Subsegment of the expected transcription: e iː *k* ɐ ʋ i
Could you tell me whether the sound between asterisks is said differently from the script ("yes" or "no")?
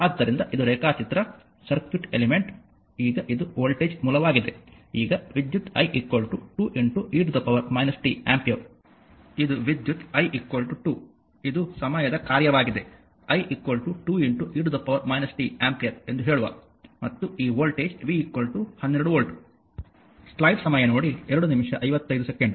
yes